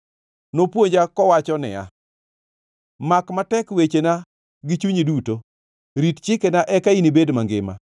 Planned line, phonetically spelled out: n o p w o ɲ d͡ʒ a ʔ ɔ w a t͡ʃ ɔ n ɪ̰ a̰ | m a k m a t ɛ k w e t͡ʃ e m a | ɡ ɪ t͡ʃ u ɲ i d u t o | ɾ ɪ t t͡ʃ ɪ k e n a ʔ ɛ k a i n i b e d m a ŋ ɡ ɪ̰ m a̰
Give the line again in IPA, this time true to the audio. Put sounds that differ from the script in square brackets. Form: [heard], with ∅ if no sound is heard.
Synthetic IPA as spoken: n o p w o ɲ d͡ʒ a [k] ɔ w a t͡ʃ ɔ n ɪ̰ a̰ | m a k m a t ɛ k w e t͡ʃ e [n] a | ɡ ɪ t͡ʃ u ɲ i d u t o | ɾ [i] t t͡ʃ ɪ k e n a ʔ ɛ k a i n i b e d m a ŋ ɡ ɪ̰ m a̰